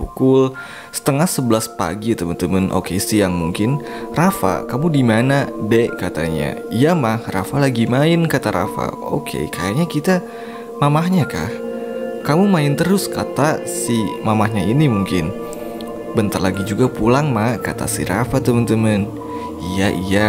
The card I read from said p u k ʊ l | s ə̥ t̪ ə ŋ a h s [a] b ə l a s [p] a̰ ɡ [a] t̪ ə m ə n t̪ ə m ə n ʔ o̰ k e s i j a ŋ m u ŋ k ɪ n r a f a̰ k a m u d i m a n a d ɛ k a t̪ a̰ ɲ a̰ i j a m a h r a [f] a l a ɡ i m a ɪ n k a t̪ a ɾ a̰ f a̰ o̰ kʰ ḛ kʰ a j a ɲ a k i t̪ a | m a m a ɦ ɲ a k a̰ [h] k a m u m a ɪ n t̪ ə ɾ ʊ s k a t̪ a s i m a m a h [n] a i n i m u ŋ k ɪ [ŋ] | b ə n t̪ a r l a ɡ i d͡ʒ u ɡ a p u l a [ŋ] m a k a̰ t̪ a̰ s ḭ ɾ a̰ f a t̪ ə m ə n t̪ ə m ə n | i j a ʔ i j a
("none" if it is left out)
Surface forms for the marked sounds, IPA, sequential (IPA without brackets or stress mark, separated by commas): ə, p, i, f, h, ɲ, n, ŋ